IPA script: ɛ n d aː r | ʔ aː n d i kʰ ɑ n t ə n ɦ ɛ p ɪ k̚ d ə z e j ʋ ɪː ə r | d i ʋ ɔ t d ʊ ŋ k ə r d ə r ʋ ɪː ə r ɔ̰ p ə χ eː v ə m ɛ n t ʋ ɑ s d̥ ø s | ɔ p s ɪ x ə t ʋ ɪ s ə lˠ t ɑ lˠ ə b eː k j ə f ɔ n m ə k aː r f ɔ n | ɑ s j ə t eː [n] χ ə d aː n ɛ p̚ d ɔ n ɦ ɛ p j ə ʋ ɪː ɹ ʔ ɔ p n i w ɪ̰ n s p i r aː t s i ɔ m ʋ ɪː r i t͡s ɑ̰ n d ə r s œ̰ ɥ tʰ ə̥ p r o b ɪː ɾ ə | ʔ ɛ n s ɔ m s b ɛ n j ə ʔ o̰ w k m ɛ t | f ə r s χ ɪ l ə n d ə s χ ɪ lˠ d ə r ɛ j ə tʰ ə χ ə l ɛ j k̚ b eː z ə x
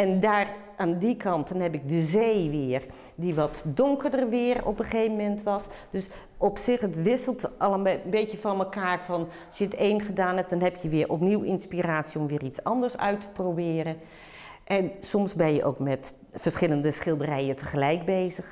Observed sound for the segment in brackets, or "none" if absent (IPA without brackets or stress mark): n